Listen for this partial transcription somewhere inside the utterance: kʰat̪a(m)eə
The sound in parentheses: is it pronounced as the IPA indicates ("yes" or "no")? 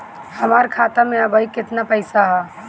yes